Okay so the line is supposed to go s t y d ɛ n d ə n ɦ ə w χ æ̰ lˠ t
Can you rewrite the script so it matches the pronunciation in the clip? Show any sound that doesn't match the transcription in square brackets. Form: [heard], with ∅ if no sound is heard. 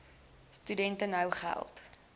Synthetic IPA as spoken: s t y d ɛ n [t] ə n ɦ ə w χ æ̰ lˠ t